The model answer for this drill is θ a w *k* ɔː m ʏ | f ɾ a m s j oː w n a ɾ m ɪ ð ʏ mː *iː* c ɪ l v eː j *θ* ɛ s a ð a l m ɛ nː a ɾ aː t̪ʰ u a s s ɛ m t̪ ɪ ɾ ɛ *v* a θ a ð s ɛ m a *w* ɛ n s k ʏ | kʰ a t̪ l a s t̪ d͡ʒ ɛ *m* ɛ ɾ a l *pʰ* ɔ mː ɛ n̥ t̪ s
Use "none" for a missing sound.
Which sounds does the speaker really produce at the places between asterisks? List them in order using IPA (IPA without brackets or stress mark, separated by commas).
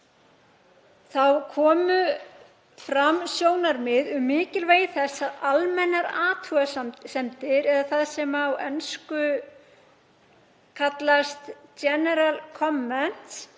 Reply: kʰ, ɪː, θ, ð, w, n, kʰ